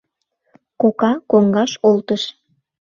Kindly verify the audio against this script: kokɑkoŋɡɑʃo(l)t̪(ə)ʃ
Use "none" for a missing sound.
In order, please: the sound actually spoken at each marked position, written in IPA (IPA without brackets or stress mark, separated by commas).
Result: l, ə